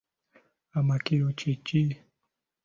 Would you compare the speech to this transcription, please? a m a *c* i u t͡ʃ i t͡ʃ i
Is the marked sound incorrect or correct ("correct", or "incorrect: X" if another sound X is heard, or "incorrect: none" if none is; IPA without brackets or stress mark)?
incorrect: k